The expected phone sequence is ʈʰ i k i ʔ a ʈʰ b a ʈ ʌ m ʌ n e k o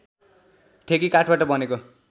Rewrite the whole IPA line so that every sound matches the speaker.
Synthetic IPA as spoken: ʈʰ e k i k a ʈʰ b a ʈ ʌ b ʌ n e k o